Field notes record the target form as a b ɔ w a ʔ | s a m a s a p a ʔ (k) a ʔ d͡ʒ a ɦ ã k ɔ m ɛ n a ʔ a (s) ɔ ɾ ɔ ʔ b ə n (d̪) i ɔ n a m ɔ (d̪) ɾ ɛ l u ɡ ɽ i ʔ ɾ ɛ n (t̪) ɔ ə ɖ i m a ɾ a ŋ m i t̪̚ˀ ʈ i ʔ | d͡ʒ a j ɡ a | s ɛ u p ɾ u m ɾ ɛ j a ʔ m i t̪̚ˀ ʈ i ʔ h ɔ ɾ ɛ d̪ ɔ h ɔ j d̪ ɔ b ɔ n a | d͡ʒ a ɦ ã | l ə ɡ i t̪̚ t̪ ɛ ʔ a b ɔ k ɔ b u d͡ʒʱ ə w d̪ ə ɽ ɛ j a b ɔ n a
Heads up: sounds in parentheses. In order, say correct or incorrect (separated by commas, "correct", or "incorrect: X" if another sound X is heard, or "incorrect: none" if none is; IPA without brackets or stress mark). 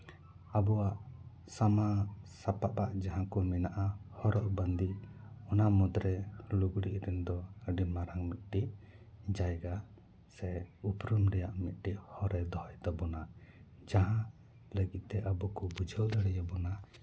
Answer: incorrect: p, incorrect: h, correct, correct, incorrect: d̪